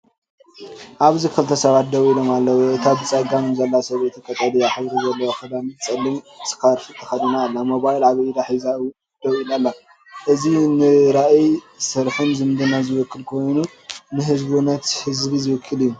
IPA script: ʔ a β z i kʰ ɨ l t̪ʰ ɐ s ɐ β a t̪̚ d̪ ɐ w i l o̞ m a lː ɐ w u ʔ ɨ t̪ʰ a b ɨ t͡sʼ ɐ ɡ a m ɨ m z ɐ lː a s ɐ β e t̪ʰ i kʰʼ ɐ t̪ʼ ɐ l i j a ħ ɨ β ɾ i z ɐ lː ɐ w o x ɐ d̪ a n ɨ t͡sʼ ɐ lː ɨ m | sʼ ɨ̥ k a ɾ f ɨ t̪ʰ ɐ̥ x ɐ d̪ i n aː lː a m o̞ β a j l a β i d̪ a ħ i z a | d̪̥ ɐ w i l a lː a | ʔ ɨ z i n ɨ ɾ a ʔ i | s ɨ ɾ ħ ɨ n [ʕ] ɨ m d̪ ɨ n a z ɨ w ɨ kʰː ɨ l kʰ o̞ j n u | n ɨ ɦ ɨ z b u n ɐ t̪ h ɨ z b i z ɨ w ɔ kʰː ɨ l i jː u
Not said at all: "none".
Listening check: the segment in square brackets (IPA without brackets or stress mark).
z